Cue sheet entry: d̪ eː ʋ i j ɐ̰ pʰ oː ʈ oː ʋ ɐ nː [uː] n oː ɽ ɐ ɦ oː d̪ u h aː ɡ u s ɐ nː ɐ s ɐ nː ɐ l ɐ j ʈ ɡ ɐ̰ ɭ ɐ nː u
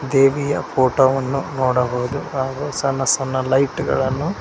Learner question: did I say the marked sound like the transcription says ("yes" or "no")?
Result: no